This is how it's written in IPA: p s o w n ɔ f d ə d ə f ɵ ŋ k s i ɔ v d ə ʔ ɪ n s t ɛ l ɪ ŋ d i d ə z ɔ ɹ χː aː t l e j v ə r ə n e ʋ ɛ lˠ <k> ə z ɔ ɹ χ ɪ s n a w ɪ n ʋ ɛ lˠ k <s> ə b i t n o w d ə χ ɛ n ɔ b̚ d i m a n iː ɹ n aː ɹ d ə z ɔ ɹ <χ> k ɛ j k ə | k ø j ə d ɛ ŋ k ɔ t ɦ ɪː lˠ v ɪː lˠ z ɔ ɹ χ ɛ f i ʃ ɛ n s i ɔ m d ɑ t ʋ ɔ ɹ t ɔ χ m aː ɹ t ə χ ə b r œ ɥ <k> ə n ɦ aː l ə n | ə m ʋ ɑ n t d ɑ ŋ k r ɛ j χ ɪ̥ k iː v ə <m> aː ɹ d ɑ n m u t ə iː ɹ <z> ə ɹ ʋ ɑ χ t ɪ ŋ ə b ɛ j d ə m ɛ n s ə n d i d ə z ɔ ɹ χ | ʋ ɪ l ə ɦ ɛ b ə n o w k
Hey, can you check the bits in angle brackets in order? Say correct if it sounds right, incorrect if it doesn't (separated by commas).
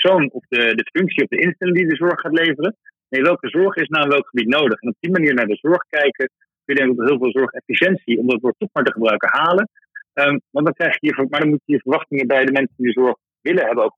correct, incorrect, correct, correct, correct, incorrect